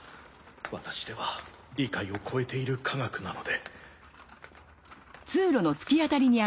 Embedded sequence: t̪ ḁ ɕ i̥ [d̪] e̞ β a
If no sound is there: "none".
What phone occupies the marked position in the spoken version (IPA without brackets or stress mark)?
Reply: d̪